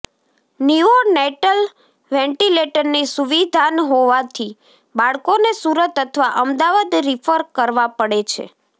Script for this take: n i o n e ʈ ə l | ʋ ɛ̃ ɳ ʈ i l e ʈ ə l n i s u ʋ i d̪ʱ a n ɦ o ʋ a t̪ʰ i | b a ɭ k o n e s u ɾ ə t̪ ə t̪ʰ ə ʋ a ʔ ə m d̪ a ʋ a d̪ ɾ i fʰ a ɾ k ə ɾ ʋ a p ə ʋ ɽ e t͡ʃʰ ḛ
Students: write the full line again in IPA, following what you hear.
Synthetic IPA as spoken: n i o n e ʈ ə l | ʋ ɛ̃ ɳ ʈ i l e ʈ ə ɾ n i s u ʋ i d̪ʱ a n ɦ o ʋ a t̪ʰ i | b a ɭ k o n e s u ɾ ə t̪ ə t̪ʰ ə ʋ a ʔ ə m d̪ a ʋ a d̪ ɾ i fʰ ə ɾ k ə ɾ ʋ a p ə ɽ e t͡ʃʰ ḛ